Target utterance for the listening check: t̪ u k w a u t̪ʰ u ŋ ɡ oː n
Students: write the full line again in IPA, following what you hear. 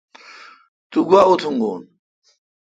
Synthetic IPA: t̪ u ɡ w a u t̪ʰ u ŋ ɡ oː n